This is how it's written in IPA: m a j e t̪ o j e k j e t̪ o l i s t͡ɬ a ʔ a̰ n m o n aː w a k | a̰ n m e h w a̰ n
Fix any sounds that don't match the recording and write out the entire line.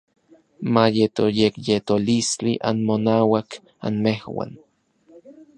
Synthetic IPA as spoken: m a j e t̪ o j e k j e t̪ o l i s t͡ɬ i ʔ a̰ n m o n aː w a k | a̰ n m e h w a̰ n